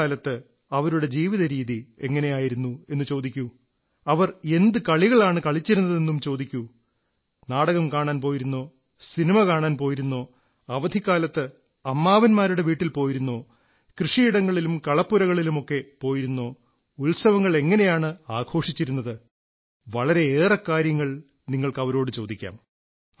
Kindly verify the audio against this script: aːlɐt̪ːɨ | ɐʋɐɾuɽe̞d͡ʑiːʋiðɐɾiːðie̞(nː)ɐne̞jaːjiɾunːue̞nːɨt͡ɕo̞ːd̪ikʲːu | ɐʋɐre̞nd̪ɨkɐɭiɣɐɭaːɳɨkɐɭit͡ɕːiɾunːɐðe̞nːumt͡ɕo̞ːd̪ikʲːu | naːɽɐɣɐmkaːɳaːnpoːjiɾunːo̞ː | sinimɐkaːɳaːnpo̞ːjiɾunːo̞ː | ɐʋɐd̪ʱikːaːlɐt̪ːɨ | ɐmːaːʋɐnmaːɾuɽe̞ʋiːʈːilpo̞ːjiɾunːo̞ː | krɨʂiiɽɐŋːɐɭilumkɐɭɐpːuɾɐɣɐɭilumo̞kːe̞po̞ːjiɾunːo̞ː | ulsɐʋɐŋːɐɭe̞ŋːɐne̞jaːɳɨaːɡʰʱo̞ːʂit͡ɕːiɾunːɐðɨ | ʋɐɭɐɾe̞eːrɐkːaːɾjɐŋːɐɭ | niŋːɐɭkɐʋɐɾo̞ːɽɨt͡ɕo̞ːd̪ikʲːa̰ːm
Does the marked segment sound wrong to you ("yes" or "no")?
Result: yes